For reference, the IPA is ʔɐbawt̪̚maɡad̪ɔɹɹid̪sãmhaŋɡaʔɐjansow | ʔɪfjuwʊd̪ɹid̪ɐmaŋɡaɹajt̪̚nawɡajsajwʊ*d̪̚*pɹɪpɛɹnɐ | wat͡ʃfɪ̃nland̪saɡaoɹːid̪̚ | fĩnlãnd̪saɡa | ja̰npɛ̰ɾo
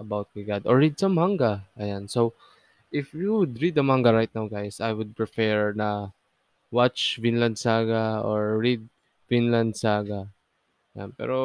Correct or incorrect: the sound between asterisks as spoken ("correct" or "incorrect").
correct